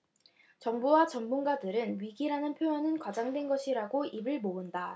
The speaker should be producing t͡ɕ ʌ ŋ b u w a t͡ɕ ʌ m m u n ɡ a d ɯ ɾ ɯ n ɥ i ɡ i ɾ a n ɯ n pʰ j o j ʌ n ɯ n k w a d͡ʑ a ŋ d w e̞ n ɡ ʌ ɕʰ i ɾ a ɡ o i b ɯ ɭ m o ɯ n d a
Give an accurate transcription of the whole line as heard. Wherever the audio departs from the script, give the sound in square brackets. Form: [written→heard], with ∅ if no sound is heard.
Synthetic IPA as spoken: t͡ɕ ʌ ŋ b u w a t͡ɕ ʌ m m u n ɡ a d ɯ ɾ ɯ n ɥ i ɡ i ɾ a n ɯ n pʰ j o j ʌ n ɯ n k w a d͡ʑ a ŋ d w e̞ n ɡ ʌ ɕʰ i ɾ a ɡ o i b ɯ ɭ m o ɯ n d a